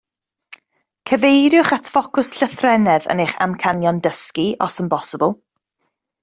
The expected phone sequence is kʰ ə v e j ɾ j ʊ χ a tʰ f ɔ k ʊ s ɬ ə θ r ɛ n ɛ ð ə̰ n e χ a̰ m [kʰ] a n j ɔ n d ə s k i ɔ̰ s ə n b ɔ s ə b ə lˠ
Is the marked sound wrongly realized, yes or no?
no